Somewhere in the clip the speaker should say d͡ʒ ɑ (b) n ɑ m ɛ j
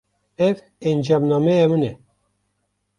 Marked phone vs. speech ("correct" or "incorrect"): incorrect